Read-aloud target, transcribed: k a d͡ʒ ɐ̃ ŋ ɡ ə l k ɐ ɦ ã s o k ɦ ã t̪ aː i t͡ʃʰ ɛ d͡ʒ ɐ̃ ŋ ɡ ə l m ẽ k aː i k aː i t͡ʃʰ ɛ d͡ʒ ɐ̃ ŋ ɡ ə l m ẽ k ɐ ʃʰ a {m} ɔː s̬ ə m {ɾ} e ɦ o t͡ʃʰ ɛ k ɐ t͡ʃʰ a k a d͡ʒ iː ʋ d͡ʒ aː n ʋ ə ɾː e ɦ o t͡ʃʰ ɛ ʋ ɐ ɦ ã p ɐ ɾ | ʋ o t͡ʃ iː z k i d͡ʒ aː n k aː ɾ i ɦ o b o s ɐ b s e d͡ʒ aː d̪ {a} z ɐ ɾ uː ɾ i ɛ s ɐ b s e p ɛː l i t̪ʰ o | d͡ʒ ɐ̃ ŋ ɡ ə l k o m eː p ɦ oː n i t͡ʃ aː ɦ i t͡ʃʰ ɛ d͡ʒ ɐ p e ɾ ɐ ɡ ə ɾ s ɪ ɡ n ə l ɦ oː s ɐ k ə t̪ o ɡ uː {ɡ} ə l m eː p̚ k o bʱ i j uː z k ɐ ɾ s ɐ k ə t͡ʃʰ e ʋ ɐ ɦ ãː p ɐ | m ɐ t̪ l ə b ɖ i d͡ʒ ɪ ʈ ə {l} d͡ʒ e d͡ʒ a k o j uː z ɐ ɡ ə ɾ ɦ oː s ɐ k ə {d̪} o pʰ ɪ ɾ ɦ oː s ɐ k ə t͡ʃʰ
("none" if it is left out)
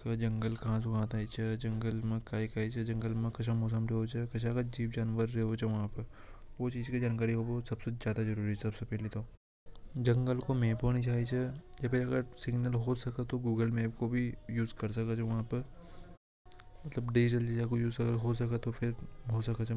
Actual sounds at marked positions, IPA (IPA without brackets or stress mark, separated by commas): m, ɾ, a, ɡ, l, t̪